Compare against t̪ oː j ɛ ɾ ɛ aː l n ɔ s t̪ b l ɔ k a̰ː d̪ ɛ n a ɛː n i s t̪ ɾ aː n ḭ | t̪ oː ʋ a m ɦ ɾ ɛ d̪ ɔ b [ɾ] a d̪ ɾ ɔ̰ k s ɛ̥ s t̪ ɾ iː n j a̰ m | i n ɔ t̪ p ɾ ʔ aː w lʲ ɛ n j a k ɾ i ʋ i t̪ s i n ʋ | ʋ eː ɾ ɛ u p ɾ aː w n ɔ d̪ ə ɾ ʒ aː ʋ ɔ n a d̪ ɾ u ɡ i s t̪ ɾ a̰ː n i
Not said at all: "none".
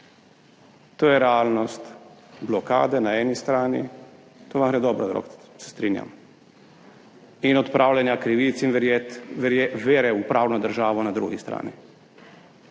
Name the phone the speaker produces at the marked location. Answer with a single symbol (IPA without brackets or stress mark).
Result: ɾ